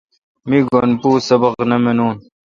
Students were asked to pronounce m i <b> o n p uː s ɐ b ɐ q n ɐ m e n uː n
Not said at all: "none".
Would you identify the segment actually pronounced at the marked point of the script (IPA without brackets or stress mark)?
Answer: ɡ